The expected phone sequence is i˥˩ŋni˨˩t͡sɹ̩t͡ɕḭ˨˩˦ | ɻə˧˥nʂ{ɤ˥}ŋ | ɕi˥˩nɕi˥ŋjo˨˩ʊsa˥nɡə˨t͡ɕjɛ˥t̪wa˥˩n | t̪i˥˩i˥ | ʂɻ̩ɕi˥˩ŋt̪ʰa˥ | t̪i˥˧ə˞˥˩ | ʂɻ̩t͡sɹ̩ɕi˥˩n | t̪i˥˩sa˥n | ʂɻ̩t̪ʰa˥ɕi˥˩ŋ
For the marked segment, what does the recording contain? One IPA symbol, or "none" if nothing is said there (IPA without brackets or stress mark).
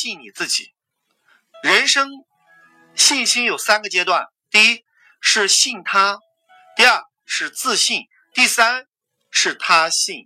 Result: ɤ˥